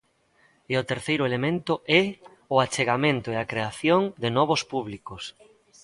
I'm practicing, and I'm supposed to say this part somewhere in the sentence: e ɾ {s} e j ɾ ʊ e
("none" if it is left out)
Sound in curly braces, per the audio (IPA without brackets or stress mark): θ